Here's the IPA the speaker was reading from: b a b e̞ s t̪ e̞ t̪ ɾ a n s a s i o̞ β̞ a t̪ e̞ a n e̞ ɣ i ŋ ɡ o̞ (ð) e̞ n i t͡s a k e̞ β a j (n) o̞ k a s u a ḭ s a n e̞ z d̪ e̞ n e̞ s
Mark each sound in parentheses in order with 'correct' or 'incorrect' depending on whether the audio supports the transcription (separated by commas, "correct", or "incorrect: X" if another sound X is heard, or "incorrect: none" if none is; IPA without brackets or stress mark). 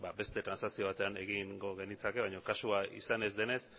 incorrect: ɣ, incorrect: ɲ